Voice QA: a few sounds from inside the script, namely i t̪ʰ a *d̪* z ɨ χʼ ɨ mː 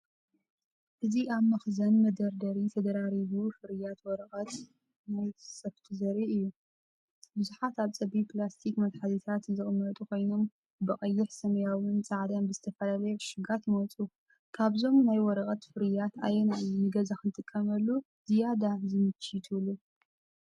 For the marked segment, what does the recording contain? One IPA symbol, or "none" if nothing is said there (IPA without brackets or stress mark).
t̪